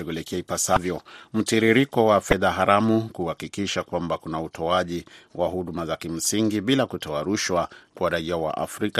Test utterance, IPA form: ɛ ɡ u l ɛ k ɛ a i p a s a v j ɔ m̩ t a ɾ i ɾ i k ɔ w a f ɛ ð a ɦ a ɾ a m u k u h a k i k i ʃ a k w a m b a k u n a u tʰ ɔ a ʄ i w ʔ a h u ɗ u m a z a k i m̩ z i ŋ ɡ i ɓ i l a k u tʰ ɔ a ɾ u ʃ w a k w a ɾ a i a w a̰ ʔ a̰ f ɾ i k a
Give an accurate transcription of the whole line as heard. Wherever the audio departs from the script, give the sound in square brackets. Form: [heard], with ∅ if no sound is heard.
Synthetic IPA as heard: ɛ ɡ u l ɛ k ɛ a i p a s a v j ɔ m̩ t [i] ɾ i ɾ i k ɔ w a f ɛ ð a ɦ a ɾ a m u k u h a k i k i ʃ a k w a m b a k u n a u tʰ ɔ a ʄ i w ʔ a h u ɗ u m a z a k i m̩ [s] i ŋ ɡ i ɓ i l a k u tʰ ɔ a ɾ u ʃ w a k w a ɾ a i a w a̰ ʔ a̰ f ɾ i k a